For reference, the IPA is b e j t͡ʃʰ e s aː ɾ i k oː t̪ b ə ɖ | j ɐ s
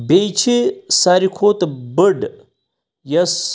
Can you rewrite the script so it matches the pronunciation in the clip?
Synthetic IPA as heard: b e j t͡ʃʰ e s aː ɾ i kʰ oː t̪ b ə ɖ | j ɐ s